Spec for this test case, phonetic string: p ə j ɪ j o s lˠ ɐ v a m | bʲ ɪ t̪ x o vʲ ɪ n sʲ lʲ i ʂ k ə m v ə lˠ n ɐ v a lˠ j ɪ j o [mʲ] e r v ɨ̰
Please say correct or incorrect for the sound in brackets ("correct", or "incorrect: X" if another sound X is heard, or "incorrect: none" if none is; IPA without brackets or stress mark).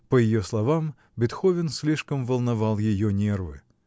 incorrect: nʲ